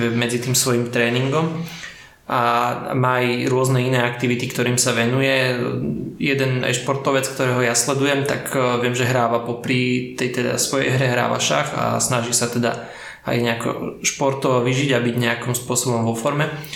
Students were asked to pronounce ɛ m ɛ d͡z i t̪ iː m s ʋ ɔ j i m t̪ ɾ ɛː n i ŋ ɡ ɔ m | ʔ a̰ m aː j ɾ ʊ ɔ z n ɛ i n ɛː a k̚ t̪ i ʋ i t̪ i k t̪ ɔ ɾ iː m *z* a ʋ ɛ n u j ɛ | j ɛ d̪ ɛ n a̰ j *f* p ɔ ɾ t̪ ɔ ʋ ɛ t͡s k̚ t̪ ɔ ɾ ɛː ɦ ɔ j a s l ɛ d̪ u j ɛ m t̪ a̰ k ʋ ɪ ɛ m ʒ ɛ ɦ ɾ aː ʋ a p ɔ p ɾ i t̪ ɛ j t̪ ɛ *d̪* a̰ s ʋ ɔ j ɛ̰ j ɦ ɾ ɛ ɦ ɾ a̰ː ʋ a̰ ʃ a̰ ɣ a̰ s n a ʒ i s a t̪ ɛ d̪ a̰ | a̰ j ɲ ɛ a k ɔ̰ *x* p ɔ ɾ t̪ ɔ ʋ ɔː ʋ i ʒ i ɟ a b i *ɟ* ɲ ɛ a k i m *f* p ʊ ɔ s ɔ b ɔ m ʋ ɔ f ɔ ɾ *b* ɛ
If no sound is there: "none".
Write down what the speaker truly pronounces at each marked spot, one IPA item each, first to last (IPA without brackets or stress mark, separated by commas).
s, ʃ, d̪, ʃ, ɟ, s, m